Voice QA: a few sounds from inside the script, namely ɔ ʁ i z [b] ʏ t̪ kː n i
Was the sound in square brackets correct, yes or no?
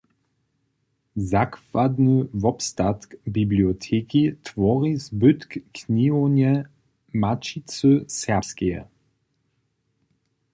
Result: yes